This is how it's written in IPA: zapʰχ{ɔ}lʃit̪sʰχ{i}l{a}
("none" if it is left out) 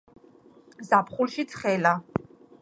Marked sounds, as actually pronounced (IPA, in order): u, ɛ, a

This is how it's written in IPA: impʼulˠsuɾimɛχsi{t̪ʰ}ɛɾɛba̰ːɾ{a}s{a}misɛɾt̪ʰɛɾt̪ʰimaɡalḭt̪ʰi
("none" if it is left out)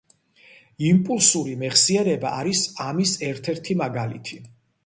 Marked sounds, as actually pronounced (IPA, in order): none, i, a

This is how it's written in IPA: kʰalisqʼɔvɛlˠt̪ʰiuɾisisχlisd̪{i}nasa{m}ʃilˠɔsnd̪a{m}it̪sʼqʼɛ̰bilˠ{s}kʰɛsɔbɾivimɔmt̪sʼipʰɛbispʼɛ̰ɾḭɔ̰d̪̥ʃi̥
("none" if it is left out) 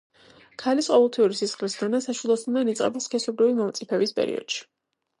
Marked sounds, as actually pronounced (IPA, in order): a, none, n, s

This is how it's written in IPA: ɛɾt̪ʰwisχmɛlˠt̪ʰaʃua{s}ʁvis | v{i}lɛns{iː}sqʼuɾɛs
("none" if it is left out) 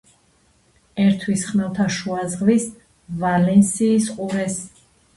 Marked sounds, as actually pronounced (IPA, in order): z, a, iː

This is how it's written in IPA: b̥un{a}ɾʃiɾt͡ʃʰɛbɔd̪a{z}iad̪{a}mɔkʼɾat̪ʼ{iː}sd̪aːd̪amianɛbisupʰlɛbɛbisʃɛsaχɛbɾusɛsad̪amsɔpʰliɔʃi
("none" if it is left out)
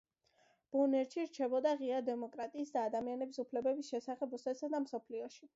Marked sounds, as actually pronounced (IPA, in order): ɛ, ʁ, ɛ, iː

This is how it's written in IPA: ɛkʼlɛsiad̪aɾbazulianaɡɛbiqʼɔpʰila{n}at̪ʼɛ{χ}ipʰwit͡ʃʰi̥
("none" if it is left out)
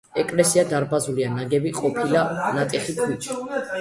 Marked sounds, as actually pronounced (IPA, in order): n, χ

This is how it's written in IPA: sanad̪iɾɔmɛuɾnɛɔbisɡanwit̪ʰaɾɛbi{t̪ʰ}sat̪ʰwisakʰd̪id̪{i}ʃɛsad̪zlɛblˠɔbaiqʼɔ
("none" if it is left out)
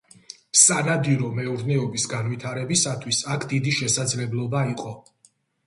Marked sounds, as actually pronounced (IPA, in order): none, i

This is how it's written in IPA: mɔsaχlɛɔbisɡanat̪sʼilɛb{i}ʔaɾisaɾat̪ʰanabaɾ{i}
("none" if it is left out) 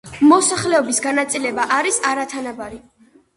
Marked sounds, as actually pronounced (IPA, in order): a, i

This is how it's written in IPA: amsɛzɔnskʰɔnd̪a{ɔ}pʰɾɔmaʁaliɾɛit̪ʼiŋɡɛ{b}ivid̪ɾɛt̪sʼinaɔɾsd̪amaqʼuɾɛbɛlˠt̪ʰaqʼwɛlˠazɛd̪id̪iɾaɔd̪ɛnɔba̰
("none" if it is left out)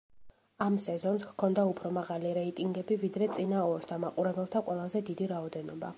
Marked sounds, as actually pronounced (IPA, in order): u, b

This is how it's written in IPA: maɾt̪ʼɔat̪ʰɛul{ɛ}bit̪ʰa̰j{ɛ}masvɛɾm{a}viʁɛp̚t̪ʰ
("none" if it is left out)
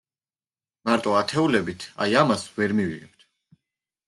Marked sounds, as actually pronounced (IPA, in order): ɛ, a, i

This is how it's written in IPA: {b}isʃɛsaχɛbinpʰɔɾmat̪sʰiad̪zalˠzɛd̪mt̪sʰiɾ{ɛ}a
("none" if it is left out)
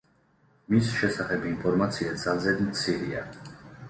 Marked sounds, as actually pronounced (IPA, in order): m, i

